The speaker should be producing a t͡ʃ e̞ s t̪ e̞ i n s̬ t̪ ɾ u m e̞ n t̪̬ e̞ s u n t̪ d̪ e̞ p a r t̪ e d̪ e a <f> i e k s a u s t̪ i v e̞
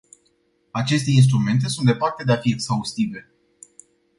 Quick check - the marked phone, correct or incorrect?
correct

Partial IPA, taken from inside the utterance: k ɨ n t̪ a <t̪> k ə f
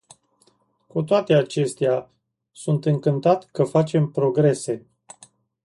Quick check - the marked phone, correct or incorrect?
correct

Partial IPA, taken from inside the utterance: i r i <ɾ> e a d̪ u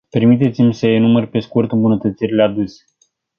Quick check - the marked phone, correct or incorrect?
incorrect: l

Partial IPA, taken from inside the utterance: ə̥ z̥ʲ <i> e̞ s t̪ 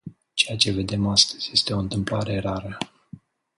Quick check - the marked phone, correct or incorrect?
incorrect: j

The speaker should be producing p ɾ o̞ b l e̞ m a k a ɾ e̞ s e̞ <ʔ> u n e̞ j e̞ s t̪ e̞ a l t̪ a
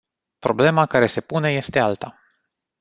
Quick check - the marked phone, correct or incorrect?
incorrect: p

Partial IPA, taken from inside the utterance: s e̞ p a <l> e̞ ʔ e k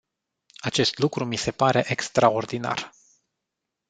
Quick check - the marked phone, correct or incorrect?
incorrect: ɾ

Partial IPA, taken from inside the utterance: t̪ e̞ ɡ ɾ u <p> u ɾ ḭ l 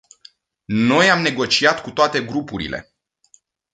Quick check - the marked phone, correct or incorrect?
correct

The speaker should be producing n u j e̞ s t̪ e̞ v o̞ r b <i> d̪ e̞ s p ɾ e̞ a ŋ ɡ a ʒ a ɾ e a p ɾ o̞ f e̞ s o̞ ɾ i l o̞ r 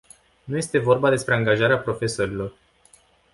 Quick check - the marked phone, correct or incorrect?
incorrect: a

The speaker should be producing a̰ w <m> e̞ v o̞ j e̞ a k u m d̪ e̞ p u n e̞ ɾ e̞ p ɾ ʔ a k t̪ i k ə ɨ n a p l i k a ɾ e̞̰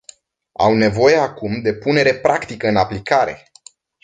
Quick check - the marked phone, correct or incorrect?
incorrect: n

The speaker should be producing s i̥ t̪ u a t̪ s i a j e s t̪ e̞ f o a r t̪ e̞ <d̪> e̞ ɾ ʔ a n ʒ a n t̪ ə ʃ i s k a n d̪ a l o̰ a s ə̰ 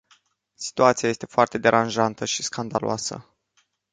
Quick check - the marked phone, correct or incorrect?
correct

